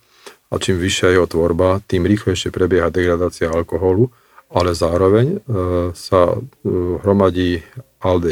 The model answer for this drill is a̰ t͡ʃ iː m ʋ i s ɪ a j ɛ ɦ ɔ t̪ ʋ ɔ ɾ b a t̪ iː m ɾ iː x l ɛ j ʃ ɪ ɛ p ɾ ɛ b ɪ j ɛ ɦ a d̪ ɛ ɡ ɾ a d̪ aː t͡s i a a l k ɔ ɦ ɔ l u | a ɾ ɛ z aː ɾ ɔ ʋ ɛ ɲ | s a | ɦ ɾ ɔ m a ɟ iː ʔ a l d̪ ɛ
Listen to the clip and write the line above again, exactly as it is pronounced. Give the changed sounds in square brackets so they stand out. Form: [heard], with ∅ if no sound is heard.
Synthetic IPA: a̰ t͡ʃ iː m ʋ i [ʃ] ɪ a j ɛ ɦ ɔ t̪ ʋ ɔ ɾ b a t̪ iː m ɾ iː x l ɛ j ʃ ɪ ɛ p ɾ ɛ b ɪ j ɛ ɦ a d̪ ɛ ɡ ɾ a d̪ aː t͡s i a a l k ɔ ɦ ɔ l u | a [l] ɛ z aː ɾ ɔ ʋ ɛ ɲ | s a | ɦ ɾ ɔ m a ɟ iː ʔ a l d̪ ɛ